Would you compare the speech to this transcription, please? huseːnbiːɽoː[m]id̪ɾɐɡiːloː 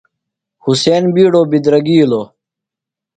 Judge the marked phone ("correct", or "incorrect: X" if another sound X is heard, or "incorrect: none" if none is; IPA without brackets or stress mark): incorrect: b